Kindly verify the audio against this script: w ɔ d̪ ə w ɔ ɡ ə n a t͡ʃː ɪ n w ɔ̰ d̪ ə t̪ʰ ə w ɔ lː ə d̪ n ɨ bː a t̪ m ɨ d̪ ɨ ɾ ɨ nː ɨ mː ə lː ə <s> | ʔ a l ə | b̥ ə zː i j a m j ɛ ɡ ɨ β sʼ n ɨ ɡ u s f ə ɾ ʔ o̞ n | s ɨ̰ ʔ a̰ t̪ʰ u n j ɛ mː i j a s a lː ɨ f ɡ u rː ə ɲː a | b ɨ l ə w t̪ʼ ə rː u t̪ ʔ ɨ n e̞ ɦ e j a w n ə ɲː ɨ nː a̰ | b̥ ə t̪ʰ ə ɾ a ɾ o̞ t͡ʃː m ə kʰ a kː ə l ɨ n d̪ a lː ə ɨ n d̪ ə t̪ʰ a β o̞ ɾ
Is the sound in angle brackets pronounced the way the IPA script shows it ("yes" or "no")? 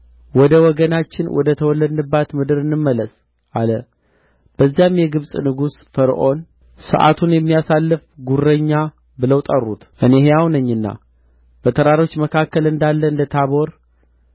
yes